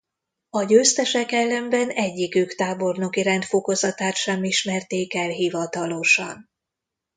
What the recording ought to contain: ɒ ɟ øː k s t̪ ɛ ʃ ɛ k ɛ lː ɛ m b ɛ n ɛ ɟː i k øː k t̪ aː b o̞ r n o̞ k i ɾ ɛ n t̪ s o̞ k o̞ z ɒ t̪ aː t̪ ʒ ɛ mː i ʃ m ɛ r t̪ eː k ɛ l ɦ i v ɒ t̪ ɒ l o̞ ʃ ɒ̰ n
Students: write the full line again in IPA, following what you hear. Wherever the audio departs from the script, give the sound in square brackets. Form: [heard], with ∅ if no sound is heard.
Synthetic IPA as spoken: ɒ ɟ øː [∅] s t̪ ɛ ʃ ɛ k ɛ lː ɛ m b ɛ n ɛ ɟː i k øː k t̪ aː b o̞ r n o̞ k i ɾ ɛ n t̪ [f] o̞ k o̞ z ɒ t̪ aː t̪ [ʃ] ɛ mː i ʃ m ɛ r t̪ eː k ɛ l ɦ i v ɒ t̪ ɒ l o̞ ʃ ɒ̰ n